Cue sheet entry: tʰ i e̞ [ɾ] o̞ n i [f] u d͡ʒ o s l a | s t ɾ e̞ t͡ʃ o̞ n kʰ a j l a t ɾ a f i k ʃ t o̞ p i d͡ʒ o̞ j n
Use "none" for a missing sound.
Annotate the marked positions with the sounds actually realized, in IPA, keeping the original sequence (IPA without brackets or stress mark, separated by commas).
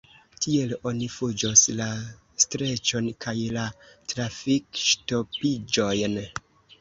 l, f